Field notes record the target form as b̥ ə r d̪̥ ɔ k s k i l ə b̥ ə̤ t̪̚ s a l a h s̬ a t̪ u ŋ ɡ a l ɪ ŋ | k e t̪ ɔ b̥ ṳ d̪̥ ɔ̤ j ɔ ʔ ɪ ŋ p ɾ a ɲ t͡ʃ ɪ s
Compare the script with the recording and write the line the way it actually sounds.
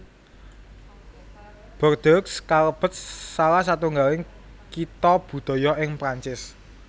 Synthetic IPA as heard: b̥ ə r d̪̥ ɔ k s k a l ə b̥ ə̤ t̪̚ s a l a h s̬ a t̪ u ŋ ɡ a l ɪ ŋ | k i t̪ ɔ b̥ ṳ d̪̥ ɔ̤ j ɔ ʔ ɪ ŋ p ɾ a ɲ t͡ʃ ɪ s

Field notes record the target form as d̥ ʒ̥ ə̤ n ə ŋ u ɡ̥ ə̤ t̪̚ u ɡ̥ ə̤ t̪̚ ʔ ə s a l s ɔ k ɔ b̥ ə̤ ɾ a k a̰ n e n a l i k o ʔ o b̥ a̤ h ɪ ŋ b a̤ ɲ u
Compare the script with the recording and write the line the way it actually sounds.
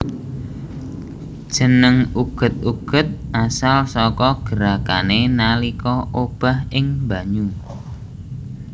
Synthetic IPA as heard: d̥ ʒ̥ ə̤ n ə ŋ u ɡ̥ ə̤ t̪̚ u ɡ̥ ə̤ t̪̚ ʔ a s a l s ɔ k ɔ ɡ̥ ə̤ ɾ a k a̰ n e n a l i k ɔ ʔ o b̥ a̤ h ɪ ŋ b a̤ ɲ u

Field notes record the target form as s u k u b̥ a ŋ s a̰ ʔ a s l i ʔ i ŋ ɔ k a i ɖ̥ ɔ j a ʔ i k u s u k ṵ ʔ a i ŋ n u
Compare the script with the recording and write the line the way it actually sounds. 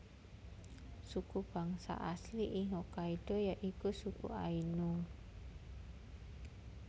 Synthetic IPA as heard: s u k u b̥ a ŋ s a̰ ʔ a s l i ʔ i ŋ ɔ k a i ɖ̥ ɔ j a ʔ i k u s u k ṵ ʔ a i n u

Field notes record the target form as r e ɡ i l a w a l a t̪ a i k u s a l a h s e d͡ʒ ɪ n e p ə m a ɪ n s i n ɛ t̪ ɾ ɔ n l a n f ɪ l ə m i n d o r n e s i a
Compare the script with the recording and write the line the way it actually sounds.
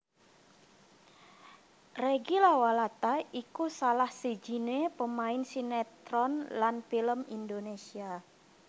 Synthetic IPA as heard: r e ɡ i l a w a l a t̪ a i k u s a l a h s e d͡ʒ i n e p ə m a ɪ n s i n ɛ t̪ ɾ ɔ n l a n f i l ə m i n d o n e s i a

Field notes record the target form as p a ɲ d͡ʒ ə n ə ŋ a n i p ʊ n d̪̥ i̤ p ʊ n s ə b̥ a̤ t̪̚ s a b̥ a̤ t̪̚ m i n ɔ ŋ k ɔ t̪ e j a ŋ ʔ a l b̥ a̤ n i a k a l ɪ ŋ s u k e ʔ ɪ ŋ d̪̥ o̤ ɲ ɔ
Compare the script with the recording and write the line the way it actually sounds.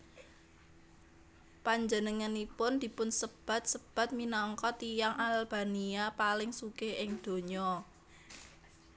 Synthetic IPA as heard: p a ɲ d͡ʒ ə n ə ŋ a n i p ʊ n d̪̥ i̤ p ʊ n s ə b̥ a̤ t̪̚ s ə b̥ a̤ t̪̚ m i n ɔ ŋ k ɔ t̪ i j a ŋ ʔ a l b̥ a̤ n i a p a l ɪ ŋ s u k e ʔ ɪ ŋ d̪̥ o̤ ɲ ɔ

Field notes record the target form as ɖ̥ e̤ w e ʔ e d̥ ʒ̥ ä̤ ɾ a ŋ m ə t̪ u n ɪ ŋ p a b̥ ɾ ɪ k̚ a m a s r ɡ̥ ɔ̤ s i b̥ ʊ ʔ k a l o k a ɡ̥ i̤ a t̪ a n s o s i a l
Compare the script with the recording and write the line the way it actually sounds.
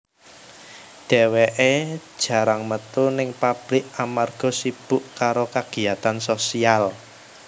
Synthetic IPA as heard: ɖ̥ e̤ w e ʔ e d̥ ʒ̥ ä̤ ɾ a ŋ m ə t̪ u n ɪ ŋ p a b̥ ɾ ɪ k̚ a m a r ɡ̥ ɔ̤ s i b̥ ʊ ʔ k a ɾ o k a ɡ̥ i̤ a t̪ a n s o s i a l

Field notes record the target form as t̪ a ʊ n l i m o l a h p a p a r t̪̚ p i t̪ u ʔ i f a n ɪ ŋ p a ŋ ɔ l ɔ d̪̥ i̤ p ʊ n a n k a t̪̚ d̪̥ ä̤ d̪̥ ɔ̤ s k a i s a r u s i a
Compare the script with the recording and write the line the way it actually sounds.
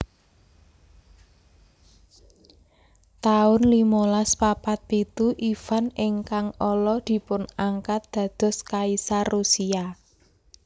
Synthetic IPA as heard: t̪ a ʊ n l i m o l a s p a p a t̪̚ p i t̪ u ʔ i f a n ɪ ŋ k a ŋ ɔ l ɔ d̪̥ i̤ p ʊ n a ŋ k a t̪̚ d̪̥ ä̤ d̪̥ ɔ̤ s k a i s a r u s i a

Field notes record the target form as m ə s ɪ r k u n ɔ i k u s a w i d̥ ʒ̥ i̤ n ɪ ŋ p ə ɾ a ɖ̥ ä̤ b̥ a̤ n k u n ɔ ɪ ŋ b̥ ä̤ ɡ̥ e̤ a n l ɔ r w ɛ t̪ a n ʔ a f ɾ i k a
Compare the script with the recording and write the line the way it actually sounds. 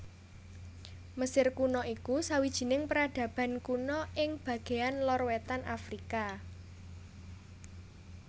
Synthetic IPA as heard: m ə s ɪ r k u n ɔ i k u s a w i d̥ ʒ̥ i̤ n ɪ ŋ p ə ɾ a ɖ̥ ä̤ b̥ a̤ n k u n ɔ ɪ ŋ b̥ ä̤ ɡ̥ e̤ a n l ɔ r w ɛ t̪ a n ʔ a f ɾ i k a

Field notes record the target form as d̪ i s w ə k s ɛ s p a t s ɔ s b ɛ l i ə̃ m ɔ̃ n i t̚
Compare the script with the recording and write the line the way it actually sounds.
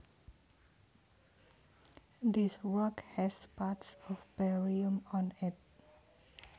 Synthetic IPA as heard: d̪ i s w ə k h ɛ s p a t s ɔ f b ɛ ɹ i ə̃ m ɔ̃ n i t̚

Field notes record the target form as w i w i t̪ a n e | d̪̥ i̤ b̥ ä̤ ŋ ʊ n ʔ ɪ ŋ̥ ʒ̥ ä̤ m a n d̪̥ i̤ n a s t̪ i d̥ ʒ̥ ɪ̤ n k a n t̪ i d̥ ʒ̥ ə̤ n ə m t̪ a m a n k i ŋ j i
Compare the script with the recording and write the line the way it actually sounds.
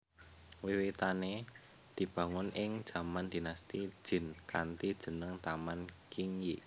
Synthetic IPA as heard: w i w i t̪ a n e | d̪̥ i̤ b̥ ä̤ ŋ ʊ n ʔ ɪ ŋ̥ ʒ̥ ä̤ m a n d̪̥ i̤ n a s t̪ i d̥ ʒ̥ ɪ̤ n k a n t̪ i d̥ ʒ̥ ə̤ n ə ŋ t̪ a m a n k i ŋ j i

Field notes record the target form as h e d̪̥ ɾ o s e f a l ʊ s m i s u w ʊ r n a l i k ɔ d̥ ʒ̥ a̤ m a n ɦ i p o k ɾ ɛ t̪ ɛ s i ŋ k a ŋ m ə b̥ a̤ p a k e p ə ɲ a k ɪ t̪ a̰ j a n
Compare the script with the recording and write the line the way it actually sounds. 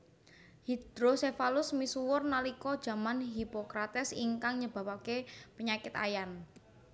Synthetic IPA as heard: h i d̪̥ ɾ o s e f a l ʊ s m i s u w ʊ r n a l i k ɔ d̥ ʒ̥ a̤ m a n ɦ i p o k ɾ a t̪ ɛ s i ŋ k a ŋ ɲ ə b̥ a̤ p a k e p ə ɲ a k ɪ t̪ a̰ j a n

